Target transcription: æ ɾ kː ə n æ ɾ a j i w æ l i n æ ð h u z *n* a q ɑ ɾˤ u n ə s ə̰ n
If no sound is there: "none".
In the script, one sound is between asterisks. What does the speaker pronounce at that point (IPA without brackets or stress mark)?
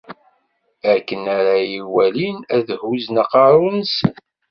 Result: n